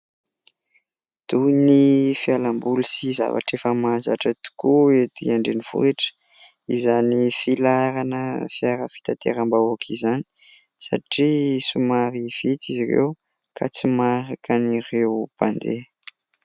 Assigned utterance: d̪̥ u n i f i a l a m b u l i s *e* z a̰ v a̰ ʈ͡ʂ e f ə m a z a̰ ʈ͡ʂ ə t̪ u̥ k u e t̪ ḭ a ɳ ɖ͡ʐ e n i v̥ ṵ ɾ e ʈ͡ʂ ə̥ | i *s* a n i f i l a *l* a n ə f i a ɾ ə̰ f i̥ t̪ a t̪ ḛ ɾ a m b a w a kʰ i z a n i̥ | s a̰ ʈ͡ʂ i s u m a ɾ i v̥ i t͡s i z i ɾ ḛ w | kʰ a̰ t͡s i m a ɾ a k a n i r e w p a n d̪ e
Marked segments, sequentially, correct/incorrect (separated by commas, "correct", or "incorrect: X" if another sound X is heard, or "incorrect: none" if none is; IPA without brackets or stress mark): incorrect: i, incorrect: z, incorrect: ɾ